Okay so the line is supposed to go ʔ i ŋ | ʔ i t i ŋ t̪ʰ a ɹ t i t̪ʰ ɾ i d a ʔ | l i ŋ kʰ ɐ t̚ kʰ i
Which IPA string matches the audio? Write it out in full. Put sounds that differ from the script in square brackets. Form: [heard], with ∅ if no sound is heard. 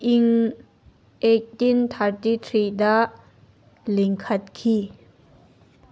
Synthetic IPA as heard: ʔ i ŋ | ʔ [e] t i [n] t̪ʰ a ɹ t i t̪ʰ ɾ i d a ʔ | l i ŋ kʰ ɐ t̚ kʰ i